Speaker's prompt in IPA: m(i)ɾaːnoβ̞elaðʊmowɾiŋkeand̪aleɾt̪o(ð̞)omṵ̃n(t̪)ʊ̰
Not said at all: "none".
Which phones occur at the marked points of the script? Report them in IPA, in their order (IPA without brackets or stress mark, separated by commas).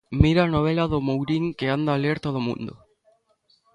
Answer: i, ð̞, d̪